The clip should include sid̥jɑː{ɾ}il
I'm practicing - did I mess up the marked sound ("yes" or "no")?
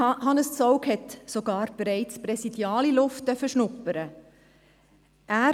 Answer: yes